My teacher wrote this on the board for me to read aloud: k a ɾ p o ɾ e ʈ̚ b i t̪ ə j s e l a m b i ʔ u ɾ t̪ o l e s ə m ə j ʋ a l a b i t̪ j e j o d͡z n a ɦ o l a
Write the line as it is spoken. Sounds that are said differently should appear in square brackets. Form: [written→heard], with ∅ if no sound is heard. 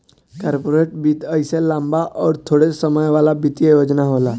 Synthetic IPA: k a ɾ p o ɾ e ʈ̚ b i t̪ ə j s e l a m b [i→a] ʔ [u→ɔ] ɾ [t̪→t̪ʰ] o [l→ɽ] e s ə m ə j ʋ a l a b i t̪ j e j o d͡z n a ɦ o l a